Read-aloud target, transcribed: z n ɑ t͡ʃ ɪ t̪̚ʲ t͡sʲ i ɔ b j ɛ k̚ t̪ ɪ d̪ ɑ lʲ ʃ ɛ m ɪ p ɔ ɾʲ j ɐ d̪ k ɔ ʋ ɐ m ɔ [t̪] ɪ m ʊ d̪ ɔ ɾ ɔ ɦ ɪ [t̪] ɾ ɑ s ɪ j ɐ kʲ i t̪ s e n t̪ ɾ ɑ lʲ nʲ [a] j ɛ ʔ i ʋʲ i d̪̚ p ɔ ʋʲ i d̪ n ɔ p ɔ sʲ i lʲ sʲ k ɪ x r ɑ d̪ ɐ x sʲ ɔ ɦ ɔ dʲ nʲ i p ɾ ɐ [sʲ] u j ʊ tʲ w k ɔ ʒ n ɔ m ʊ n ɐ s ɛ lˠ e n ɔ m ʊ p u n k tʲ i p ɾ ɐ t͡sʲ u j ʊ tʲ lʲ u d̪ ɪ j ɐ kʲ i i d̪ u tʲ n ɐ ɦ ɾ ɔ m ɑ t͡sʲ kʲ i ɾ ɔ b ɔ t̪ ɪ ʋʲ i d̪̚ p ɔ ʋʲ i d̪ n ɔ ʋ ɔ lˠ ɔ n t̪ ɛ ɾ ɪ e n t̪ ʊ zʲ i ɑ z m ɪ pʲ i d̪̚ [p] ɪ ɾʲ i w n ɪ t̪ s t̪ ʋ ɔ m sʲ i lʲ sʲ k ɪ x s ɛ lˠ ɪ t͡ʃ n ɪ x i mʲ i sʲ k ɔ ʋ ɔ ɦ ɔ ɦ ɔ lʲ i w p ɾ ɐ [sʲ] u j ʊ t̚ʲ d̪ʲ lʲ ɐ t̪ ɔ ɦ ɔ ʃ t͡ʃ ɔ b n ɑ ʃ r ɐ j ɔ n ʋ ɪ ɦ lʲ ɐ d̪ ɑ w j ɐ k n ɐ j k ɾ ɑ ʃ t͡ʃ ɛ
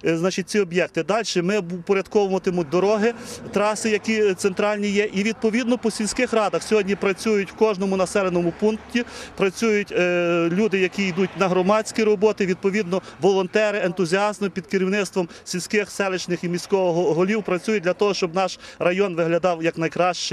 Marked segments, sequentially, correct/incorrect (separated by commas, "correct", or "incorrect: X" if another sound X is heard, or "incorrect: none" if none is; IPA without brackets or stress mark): correct, correct, incorrect: i, incorrect: t͡sʲ, incorrect: k, incorrect: t͡sʲ